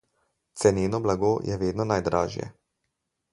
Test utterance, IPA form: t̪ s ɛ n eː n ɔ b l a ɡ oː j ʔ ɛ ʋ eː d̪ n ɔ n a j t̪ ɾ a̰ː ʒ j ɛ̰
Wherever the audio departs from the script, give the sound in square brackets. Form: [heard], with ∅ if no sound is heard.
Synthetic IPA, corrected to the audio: t̪ s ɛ n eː n ɔ b l a ɡ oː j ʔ ɛ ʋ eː d̪ n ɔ n a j [d̪] ɾ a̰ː ʒ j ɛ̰

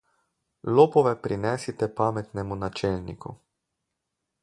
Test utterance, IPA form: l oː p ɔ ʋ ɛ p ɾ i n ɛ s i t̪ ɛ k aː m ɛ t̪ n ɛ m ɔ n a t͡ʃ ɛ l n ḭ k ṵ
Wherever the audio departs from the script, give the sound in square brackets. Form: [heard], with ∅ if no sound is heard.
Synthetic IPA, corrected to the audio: l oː p ɔ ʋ ɛ p ɾ i n ɛ s i t̪ ɛ [p] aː m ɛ t̪ n ɛ m [u] n a t͡ʃ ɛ l n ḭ k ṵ

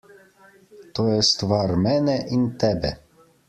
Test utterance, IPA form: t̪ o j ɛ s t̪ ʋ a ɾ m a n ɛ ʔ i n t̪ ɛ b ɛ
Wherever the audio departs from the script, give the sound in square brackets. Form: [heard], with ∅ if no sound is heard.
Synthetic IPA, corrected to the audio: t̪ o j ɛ s t̪ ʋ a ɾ m [ɛ] n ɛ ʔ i n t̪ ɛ b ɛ

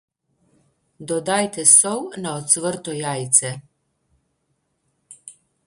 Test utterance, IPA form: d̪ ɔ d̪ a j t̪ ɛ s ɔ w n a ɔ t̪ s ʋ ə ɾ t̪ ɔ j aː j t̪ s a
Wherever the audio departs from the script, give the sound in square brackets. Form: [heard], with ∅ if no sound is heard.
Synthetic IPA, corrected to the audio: d̪ ɔ d̪ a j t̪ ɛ s ɔ w n a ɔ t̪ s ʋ ə ɾ t̪ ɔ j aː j t̪ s [ɛ]

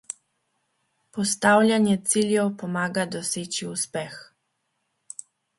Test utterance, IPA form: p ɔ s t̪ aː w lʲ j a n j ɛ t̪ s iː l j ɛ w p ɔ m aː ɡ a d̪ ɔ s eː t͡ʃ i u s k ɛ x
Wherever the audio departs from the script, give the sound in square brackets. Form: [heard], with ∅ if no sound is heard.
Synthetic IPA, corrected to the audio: p ɔ s t̪ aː w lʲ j a n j ɛ t̪ s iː l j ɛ w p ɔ m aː ɡ a d̪ ɔ s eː t͡ʃ i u s [p] ɛ x

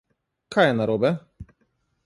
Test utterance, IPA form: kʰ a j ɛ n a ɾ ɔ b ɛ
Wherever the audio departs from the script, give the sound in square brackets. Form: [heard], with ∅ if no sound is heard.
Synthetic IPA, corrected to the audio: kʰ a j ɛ n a ɾ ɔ b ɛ

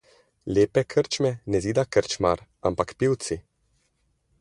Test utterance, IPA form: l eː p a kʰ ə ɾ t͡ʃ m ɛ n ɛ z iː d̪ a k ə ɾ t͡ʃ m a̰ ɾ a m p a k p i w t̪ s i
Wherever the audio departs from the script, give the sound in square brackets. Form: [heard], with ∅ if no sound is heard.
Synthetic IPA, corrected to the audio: l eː p [ɛ] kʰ ə ɾ t͡ʃ m ɛ n ɛ z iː d̪ a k ə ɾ t͡ʃ m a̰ ɾ a m p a k p i w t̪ s i

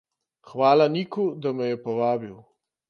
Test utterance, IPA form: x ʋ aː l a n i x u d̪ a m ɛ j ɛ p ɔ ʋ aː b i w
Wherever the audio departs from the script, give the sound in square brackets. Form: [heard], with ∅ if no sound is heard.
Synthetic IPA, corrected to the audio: x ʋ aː l a n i [k] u d̪ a m ɛ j ɛ p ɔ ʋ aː b i w

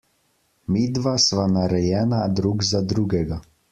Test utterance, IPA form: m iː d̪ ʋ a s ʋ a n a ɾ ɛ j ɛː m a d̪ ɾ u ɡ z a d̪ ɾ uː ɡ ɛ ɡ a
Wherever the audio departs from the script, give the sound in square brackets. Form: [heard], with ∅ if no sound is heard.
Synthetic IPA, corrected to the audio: m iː d̪ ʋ a s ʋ a n a ɾ ɛ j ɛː [n] a d̪ ɾ u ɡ z a d̪ ɾ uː ɡ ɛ ɡ a

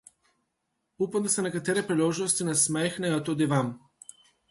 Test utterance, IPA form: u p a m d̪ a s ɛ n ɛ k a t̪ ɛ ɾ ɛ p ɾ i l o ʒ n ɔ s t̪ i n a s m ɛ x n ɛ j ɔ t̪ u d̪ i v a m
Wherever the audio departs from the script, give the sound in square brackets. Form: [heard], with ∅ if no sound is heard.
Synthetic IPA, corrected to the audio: u p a m d̪ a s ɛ n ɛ k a t̪ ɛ ɾ ɛ p ɾ i l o ʒ n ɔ s t̪ i n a s m ɛ x n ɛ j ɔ t̪ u d̪ i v a m

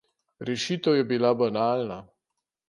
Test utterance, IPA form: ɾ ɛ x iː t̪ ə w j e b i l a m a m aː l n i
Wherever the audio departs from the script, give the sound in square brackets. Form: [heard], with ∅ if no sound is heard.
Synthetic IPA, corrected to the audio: ɾ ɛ [ʃ] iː t̪ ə w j [ɛ] b i l a [b] a [n] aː l n [a]

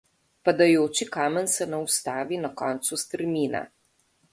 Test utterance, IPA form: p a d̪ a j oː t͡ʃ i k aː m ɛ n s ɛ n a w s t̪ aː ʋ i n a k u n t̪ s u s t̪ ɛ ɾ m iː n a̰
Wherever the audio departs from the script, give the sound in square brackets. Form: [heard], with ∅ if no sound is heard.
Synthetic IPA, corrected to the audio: p a d̪ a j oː t͡ʃ i k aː m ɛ n s ɛ n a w s t̪ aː ʋ i n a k [ɔ] n t̪ s u s t̪ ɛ ɾ m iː n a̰

